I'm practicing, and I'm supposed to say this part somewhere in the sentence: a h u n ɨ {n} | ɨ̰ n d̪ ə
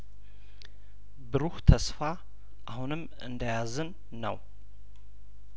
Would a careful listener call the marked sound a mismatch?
yes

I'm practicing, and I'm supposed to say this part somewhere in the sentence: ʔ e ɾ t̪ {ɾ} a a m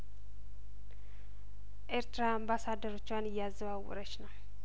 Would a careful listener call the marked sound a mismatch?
no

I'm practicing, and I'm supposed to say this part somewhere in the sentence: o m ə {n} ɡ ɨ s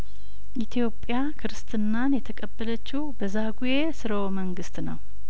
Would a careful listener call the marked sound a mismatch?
yes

